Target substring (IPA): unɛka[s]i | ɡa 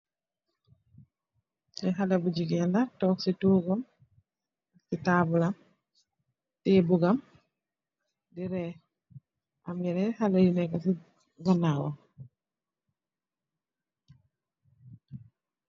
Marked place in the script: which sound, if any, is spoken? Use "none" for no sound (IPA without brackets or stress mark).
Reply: s